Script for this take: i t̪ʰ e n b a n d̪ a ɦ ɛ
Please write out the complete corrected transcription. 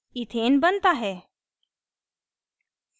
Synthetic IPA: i t̪ʰ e n b ə n t̪ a ɦ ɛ